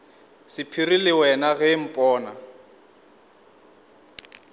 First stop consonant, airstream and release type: aspirated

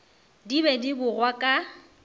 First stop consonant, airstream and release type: plain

